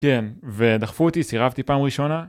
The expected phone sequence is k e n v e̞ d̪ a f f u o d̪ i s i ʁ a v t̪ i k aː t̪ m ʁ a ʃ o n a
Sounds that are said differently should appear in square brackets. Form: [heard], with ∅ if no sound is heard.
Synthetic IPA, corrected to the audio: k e n v e̞ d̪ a [χ] f u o [t̪] i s i ʁ a v t̪ i [p] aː [∅] m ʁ [i] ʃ o n a